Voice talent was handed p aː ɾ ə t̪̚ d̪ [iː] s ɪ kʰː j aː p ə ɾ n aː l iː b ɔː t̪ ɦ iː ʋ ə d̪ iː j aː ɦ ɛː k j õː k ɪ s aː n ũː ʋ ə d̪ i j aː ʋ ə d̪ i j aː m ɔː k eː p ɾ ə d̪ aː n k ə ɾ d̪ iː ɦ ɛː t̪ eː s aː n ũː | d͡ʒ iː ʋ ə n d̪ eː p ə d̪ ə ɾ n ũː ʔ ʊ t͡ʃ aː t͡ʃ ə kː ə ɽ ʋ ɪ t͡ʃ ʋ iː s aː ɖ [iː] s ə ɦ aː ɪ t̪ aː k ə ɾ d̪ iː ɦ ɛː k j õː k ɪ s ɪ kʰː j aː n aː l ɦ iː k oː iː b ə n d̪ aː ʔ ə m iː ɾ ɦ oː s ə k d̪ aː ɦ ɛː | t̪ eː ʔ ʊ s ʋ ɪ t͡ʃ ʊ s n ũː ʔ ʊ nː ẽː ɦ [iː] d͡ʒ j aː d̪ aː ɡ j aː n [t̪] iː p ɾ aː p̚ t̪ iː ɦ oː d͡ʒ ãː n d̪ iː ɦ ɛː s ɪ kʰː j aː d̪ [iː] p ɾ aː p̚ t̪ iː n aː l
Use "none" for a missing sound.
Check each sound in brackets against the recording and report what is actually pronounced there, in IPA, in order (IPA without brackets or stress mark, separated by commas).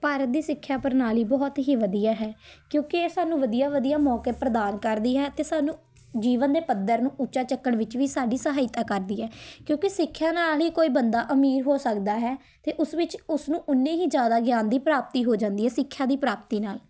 iː, iː, iː, d̪, iː